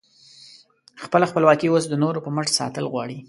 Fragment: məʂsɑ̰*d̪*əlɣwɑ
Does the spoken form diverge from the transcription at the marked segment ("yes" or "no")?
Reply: yes